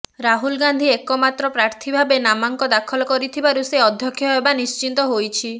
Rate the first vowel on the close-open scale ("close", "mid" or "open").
open